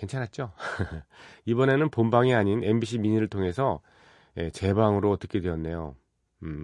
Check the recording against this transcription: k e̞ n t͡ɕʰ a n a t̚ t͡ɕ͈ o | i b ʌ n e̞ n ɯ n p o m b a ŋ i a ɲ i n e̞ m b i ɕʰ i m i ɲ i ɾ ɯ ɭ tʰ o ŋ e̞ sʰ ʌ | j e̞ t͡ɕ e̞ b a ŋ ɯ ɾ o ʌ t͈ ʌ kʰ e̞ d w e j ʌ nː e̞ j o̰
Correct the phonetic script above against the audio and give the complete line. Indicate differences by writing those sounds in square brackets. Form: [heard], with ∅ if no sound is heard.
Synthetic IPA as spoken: k e̞ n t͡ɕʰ a n a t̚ t͡ɕ͈ o | i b ʌ n e̞ n ɯ n p o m b a ŋ i a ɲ i n e̞ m b i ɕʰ i m i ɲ i ɾ ɯ ɭ tʰ o ŋ e̞ sʰ ʌ | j e̞ t͡ɕ e̞ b a ŋ ɯ ɾ o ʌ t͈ ʌ kʰ e̞ d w e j ʌ nː e̞ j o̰